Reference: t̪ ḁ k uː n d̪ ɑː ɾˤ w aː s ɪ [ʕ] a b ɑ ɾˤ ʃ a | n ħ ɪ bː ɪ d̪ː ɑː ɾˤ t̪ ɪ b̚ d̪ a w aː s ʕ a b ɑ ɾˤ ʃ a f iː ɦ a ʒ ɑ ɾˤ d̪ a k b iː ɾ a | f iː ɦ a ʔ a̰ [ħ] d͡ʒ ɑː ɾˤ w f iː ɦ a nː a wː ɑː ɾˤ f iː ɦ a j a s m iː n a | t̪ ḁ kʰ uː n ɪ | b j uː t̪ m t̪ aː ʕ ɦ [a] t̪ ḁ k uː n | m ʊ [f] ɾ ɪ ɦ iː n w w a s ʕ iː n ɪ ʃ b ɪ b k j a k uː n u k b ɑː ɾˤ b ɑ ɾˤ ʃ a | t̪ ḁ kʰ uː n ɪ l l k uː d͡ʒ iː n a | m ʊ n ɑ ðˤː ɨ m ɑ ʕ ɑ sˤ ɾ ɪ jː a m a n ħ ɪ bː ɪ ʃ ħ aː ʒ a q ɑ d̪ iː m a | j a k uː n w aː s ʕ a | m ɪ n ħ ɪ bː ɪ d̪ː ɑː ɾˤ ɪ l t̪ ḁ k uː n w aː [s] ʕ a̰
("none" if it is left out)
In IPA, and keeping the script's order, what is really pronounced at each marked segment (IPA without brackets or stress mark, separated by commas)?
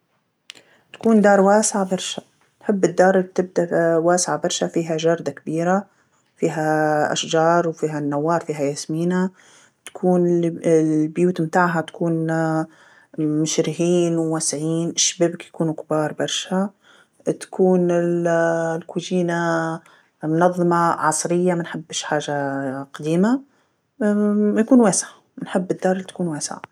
ʕ, ʃ, a, ʃ, s